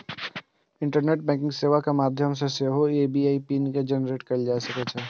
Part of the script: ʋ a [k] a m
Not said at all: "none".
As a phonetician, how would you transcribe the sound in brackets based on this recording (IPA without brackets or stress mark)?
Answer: k